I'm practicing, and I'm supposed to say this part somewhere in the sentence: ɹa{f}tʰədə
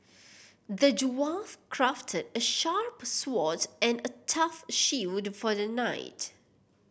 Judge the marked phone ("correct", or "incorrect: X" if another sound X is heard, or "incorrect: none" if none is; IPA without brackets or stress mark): correct